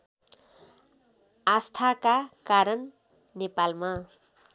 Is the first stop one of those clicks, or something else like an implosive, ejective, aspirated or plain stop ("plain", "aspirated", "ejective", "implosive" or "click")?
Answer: aspirated